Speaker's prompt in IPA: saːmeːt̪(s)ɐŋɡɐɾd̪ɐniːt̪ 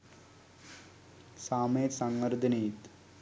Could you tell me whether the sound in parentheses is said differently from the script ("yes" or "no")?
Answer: no